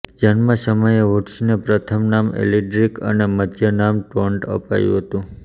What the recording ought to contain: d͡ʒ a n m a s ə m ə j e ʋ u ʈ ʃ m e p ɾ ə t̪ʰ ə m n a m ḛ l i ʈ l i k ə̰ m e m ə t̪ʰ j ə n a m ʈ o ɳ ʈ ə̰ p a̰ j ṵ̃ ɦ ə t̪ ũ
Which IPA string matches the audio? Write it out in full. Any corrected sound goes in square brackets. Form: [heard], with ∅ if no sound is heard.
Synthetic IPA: d͡ʒ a n m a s ə m ə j e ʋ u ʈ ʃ [n] e p ɾ ə t̪ʰ ə m n a m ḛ l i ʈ [ɾ] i k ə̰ [n] e m ə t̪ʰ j ə n a m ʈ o ɳ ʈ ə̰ p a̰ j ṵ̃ ɦ ə t̪ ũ